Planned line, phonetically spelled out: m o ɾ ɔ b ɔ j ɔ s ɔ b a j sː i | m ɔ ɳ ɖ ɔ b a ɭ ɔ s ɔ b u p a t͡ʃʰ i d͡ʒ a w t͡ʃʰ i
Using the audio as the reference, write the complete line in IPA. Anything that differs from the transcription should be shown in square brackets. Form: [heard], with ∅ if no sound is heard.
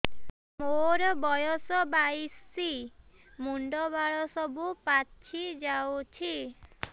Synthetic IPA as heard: m o ɾ ɔ b ɔ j ɔ s ɔ b a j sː i | m [u] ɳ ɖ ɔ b a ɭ ɔ s ɔ b u p a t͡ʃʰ i d͡ʒ a w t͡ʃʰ i